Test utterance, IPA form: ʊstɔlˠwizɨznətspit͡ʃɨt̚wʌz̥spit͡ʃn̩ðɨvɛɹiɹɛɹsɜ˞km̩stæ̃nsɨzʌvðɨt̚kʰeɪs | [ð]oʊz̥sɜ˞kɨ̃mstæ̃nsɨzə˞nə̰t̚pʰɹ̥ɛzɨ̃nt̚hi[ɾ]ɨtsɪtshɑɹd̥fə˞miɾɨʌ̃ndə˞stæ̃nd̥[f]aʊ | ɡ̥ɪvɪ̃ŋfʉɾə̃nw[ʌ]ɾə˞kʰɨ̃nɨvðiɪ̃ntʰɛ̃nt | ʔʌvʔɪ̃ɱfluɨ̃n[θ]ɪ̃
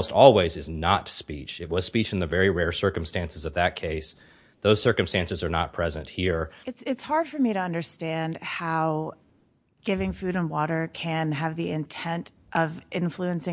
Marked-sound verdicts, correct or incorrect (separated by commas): correct, incorrect, incorrect, incorrect, incorrect